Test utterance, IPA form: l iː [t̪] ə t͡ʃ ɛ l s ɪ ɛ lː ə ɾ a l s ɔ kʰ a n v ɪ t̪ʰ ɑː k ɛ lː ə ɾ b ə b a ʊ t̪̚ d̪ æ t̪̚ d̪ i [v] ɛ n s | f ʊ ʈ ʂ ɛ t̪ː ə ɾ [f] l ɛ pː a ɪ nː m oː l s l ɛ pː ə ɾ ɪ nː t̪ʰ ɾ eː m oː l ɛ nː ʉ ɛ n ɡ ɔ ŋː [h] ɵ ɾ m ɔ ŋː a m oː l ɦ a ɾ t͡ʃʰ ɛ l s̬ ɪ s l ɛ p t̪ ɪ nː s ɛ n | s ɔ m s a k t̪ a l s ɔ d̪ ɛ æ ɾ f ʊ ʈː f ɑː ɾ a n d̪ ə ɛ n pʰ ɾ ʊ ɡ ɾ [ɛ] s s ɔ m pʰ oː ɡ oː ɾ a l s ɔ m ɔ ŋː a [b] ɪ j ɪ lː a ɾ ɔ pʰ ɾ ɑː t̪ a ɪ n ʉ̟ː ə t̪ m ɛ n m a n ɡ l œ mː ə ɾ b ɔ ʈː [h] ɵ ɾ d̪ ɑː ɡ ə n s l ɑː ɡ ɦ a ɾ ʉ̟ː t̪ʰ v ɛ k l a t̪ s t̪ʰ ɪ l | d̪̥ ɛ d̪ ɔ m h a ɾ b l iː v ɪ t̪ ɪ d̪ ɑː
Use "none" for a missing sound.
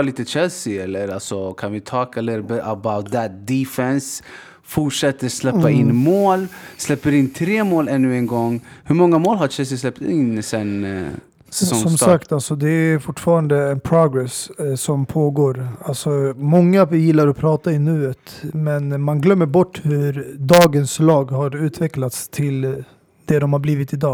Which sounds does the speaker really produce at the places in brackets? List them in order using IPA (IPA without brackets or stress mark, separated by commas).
t̪, f, s, h, ɛ, v, h